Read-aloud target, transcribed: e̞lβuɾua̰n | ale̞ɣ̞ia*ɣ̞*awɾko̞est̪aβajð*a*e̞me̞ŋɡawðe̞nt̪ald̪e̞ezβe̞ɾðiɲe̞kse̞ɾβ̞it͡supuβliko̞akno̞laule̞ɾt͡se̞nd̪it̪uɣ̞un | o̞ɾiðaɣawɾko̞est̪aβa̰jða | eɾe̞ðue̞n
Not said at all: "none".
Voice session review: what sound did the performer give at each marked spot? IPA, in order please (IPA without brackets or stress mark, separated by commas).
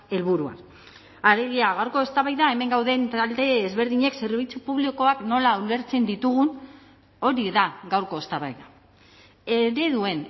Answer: ɣ̞, a